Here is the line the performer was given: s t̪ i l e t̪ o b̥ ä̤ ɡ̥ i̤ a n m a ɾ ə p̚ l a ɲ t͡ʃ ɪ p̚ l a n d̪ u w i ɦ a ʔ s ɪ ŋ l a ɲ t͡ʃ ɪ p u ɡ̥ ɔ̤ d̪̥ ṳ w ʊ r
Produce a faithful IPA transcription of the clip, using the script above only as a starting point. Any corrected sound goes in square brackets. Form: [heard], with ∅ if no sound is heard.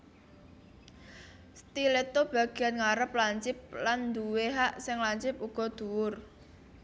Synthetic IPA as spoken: s t̪ i l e t̪ o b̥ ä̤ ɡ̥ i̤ a n [ŋ] a ɾ ə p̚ l a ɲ t͡ʃ ɪ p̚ l a n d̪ u w [e] ɦ a ʔ s ɪ ŋ l a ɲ t͡ʃ ɪ p u ɡ̥ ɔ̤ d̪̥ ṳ w ʊ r